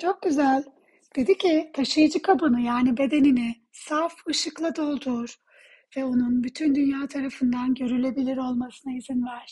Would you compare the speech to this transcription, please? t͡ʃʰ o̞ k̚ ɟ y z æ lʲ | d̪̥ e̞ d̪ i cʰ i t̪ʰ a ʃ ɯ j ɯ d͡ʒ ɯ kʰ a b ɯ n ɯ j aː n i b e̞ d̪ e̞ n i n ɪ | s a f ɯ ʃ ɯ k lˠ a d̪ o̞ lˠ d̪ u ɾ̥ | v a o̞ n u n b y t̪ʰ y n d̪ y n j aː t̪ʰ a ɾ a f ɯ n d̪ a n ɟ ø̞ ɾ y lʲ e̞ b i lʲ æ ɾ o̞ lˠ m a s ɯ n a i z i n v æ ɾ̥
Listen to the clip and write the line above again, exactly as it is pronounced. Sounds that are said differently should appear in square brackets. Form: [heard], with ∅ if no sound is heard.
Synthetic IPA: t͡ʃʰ o̞ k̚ ɟ y z æ lʲ | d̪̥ e̞ d̪ i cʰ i t̪ʰ a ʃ ɯ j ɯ d͡ʒ ɯ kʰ a b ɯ n ɯ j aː n i b e̞ d̪ e̞ n i n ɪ | s a f ɯ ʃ ɯ k lˠ a d̪ o̞ lˠ d̪ u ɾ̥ | v [ɛ] o̞ n u n b y t̪ʰ y n d̪ y n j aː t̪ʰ a ɾ a f ɯ n d̪ a n ɟ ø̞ ɾ y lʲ e̞ b i lʲ [i] ɾ o̞ lˠ m a s ɯ n a i z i n v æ ɾ̥